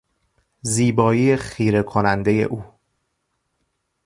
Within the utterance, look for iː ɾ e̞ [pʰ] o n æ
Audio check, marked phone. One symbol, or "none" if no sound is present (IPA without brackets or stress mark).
kʰ